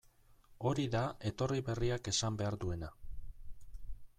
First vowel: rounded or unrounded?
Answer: rounded